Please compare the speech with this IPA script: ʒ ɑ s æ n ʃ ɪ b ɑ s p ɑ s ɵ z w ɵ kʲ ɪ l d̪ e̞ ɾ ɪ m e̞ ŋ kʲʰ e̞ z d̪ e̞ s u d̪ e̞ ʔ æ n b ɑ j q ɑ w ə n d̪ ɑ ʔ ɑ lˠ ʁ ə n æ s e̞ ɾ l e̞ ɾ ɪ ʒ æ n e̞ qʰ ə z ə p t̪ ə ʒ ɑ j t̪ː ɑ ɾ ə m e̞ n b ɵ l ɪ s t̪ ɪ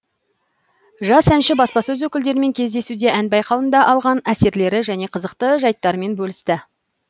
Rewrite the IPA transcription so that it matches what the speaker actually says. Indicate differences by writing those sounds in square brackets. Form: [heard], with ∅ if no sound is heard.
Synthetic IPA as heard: ʒ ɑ s æ n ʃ ɪ b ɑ s p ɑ s ɵ z w ɵ kʲ ɪ l d̪ e̞ ɾ ɪ m e̞ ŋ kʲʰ e̞ z d̪ e̞ s u d̪ e̞ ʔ æ n b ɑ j q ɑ w ə n d̪ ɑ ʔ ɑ lˠ ʁ [ɑ] n æ s e̞ ɾ l e̞ ɾ ɪ ʒ æ n e̞ qʰ ə z ə [q] t̪ ə ʒ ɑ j t̪ː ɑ ɾ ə m e̞ n b ɵ l ɪ s t̪ ɪ